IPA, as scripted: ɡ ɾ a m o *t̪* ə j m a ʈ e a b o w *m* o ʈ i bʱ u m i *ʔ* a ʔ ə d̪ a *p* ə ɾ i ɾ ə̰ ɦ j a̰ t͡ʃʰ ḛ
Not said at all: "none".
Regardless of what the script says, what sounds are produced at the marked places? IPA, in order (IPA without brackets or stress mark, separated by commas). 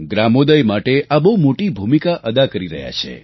d̪, m, k, k